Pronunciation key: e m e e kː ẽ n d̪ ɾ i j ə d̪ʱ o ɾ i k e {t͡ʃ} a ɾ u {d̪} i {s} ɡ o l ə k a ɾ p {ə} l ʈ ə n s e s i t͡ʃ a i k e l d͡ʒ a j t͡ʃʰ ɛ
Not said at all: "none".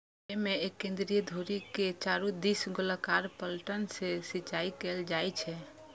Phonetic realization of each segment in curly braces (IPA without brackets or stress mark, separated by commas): t͡ʃ, d̪, s, ə